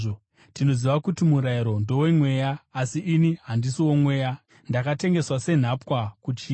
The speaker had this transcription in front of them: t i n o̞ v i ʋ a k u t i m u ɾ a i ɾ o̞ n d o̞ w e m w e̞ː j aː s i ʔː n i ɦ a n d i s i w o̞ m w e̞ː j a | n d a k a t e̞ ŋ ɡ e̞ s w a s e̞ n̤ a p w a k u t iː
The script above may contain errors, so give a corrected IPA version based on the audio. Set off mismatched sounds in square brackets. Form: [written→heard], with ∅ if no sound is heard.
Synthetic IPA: t i n o̞ [v→z] i ʋ a k u t i m u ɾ a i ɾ o̞ n d o̞ w e m w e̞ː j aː s i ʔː n i ɦ a n d i s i w o̞ m w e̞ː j a | n d a k a t e̞ ŋ ɡ e̞ s w a s e̞ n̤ a p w a k u [t→t͡ʃ] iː